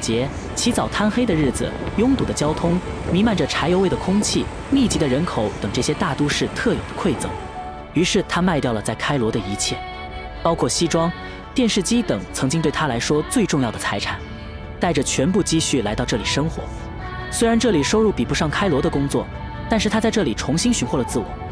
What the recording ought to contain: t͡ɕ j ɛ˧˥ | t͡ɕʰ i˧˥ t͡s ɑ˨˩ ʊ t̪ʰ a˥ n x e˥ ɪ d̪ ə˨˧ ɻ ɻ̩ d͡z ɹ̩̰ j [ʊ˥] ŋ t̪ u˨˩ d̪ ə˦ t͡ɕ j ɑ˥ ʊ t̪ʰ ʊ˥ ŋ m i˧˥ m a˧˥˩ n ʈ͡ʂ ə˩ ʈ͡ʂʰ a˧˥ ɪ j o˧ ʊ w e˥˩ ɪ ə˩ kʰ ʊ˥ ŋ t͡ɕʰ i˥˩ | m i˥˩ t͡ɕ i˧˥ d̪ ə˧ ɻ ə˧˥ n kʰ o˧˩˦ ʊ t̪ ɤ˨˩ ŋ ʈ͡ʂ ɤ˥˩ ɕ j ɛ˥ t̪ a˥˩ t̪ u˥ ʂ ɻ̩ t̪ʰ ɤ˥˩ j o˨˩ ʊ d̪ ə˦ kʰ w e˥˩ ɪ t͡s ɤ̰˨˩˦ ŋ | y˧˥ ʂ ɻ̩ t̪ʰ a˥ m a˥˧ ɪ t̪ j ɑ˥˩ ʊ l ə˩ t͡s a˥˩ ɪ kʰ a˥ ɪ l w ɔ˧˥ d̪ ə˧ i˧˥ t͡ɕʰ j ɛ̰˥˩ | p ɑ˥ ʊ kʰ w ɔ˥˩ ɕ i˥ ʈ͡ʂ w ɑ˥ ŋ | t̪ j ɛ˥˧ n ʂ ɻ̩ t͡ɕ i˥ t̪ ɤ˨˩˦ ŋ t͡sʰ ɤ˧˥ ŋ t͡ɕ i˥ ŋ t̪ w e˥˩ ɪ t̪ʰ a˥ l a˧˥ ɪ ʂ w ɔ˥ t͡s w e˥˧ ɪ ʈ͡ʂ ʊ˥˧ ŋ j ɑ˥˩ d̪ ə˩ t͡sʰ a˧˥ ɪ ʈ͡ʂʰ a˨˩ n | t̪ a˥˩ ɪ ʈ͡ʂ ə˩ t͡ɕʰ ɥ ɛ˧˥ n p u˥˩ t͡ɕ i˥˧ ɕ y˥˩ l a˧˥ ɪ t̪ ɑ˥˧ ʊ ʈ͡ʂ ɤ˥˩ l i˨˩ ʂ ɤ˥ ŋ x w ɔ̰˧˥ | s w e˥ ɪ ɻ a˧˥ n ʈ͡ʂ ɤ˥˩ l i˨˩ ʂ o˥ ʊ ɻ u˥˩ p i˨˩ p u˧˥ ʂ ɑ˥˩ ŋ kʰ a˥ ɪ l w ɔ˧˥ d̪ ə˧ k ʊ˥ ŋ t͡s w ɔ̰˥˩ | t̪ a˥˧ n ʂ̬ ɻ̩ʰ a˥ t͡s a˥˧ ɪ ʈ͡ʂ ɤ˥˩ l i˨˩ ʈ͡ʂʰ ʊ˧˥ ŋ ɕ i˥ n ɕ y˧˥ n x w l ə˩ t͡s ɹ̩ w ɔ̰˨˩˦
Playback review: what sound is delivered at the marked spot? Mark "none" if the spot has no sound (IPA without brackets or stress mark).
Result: ʊ˥